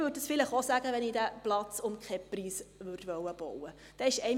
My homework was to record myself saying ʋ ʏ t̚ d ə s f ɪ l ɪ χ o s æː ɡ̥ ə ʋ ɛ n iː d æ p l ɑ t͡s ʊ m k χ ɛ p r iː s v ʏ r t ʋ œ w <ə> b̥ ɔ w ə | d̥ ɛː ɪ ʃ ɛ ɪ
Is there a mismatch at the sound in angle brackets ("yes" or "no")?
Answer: no